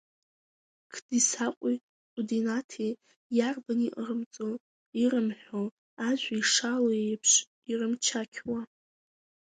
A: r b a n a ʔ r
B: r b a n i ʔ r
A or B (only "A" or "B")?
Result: B